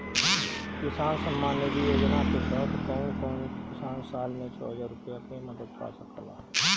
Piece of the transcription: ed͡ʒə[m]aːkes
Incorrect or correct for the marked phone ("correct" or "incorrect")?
incorrect